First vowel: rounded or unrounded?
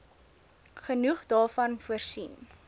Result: unrounded